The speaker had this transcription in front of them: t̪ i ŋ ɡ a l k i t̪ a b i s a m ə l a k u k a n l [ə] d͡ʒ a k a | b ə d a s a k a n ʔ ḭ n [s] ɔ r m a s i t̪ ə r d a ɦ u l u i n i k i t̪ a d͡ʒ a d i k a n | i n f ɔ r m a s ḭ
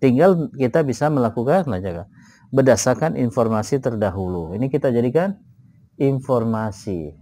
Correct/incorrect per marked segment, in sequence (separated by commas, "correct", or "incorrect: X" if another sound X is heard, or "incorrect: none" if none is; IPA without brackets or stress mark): incorrect: a, incorrect: f